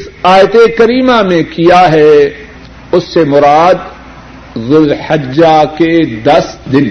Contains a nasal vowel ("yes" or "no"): yes